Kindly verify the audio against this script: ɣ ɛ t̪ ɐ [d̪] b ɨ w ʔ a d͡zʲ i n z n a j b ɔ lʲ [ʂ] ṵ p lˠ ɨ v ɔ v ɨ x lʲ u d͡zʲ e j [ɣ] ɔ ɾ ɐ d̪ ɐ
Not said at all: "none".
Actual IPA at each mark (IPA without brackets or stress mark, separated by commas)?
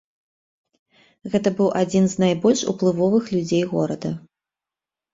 none, ʂ, ɣ